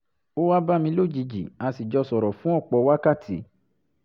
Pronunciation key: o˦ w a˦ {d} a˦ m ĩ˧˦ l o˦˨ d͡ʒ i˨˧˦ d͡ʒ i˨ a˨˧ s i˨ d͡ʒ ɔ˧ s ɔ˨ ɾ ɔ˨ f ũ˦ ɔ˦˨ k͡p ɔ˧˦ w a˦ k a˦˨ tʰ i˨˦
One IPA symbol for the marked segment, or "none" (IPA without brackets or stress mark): b